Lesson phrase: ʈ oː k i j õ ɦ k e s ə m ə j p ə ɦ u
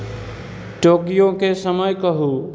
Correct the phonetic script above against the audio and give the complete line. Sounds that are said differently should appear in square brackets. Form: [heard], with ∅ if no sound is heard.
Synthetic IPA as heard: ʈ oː k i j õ [∅] k e s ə m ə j [k] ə ɦ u